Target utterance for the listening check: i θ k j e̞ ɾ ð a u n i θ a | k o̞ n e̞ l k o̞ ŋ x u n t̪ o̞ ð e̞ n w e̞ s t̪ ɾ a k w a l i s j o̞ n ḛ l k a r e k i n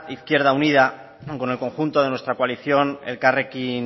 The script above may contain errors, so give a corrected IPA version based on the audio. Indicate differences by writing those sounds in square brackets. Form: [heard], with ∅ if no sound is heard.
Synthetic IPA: i θ k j e̞ ɾ ð a u n i [ð] a | k o̞ n e̞ l k o̞ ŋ x u n t̪ o̞ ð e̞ n w e̞ s t̪ ɾ a k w a l i [θ] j o̞ n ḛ l k a r e k i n